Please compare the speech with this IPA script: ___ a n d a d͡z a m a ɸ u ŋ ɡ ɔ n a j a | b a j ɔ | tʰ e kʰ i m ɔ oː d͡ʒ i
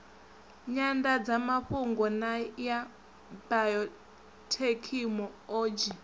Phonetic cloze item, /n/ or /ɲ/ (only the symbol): ɲ